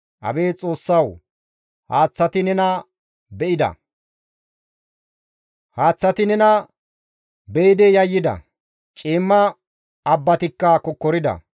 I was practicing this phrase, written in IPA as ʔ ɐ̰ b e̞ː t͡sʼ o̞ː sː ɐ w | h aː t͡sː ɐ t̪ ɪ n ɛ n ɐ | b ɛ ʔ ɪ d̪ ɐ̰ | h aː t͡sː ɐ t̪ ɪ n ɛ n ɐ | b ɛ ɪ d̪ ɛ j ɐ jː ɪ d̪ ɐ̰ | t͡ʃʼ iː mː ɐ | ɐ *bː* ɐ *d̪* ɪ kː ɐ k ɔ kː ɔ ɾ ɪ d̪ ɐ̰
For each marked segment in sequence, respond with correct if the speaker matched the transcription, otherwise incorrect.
correct, incorrect

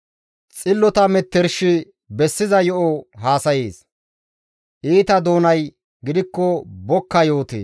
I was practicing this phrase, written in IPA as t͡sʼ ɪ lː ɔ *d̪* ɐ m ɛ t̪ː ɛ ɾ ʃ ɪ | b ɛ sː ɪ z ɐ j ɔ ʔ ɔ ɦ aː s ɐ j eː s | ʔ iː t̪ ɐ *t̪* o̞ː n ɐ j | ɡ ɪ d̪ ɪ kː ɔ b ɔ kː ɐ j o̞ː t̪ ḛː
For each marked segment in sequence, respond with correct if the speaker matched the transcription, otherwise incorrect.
incorrect, incorrect

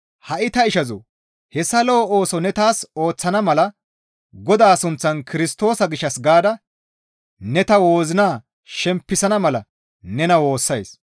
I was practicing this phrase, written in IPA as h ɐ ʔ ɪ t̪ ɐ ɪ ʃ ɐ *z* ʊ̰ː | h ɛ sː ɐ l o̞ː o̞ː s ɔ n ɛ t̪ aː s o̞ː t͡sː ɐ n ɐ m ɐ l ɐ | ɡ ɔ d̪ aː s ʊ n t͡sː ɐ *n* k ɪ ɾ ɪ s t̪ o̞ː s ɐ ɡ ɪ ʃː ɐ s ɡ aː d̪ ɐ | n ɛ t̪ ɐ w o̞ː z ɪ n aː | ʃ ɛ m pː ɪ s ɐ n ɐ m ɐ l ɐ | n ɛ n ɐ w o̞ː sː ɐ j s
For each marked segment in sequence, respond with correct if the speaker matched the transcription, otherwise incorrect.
correct, correct

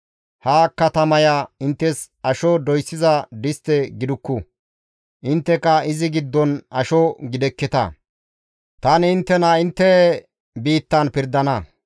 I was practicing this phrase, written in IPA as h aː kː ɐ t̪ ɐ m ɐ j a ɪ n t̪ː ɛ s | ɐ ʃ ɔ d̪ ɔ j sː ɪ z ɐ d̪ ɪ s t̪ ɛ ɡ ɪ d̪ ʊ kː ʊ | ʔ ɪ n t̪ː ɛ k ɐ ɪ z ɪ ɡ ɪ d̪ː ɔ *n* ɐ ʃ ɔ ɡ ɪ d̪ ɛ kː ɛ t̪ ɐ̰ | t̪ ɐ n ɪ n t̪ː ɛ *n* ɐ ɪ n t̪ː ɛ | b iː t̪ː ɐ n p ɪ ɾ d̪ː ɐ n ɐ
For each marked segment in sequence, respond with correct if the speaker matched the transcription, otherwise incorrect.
correct, correct

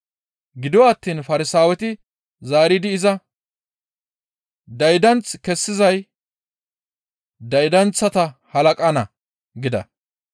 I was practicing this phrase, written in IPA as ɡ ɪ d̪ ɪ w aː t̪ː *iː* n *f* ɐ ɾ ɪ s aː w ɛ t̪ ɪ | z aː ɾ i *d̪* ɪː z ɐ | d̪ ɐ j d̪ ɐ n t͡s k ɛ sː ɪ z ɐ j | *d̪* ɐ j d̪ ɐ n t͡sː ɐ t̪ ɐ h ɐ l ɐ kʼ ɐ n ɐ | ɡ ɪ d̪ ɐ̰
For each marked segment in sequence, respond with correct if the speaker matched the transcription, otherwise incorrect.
correct, correct, correct, correct

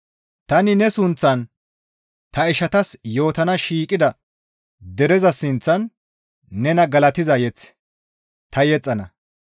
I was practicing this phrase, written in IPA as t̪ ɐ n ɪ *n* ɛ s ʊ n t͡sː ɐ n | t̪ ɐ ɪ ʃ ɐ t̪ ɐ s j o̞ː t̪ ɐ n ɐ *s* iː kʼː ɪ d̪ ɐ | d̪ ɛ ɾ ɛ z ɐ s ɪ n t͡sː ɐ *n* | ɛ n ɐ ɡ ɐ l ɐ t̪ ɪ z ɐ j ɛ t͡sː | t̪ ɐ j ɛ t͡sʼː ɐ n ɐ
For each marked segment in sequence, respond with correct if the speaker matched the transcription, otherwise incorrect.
correct, incorrect, incorrect

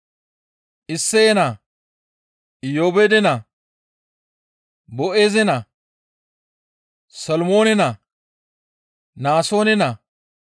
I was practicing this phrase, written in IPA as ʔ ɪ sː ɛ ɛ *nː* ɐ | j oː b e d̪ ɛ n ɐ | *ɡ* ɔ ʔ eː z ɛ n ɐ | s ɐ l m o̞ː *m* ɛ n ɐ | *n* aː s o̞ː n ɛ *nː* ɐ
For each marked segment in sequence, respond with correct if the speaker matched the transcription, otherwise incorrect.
incorrect, incorrect, incorrect, correct, incorrect

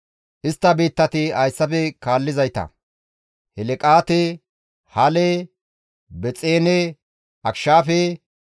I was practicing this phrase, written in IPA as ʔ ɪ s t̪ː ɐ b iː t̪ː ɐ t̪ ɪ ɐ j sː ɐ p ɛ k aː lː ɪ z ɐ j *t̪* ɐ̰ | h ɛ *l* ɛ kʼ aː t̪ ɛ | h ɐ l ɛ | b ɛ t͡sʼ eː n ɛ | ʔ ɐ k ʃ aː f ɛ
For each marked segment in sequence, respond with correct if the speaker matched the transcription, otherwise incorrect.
correct, correct

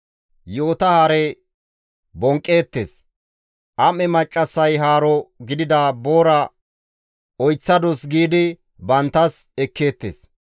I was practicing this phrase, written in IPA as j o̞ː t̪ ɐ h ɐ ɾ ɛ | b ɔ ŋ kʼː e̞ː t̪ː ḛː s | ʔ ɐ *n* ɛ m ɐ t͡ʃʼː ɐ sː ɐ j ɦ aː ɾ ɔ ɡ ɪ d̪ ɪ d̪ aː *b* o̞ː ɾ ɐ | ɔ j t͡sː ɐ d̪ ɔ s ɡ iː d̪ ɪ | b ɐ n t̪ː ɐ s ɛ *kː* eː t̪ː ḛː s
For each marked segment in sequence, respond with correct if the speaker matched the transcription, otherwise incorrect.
incorrect, correct, correct

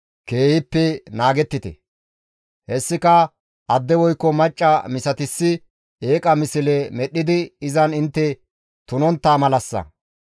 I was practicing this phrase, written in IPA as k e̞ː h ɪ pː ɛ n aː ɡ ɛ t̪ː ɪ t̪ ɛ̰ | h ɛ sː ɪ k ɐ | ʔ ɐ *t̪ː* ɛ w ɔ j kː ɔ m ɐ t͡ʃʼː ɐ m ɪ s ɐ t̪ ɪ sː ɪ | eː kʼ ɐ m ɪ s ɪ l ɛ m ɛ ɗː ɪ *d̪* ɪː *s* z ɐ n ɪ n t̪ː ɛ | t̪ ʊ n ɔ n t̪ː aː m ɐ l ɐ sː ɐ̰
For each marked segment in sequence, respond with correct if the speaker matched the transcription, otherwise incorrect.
incorrect, correct, incorrect

